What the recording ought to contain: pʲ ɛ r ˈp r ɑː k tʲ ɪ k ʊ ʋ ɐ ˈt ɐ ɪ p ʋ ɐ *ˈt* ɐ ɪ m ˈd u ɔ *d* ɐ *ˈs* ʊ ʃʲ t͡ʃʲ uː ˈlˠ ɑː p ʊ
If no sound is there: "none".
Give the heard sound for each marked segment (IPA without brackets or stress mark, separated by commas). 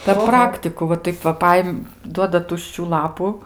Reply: p, d, t